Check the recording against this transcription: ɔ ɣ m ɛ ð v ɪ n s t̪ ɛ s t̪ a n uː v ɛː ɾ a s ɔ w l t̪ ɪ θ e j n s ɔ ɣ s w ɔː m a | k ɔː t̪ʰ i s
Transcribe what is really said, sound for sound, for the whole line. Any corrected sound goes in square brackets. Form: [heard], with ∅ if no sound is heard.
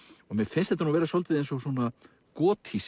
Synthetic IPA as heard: ɔ ɣ m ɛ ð [f] ɪ n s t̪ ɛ [∅] t̪ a n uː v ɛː ɾ a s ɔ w l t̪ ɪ [ð] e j n s ɔ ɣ s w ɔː [n] a | k ɔː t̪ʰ i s